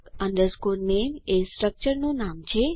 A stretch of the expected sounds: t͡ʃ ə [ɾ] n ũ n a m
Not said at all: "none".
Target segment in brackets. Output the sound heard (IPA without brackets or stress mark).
ɾ